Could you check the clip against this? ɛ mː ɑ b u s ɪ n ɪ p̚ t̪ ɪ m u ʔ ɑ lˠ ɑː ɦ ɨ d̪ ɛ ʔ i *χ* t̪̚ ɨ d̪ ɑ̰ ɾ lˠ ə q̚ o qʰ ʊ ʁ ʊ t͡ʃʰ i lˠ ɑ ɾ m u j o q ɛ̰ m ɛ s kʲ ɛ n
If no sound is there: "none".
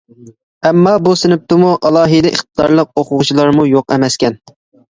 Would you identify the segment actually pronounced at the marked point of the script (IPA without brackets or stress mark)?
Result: χ